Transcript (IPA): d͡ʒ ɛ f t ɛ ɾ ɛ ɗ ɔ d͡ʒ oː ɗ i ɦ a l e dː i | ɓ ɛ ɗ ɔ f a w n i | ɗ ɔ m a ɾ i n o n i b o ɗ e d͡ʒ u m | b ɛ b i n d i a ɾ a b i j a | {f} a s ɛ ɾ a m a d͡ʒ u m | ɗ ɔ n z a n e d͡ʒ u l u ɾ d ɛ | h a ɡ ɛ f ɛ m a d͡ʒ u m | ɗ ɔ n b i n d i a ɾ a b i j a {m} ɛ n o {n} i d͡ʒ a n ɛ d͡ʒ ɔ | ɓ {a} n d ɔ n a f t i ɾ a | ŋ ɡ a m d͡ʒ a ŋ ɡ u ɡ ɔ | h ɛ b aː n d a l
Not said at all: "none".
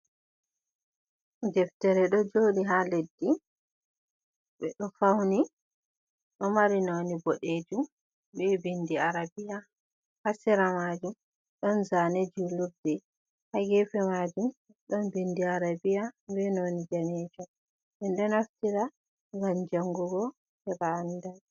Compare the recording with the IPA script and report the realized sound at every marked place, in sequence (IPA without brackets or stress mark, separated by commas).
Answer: h, b, n, ɛ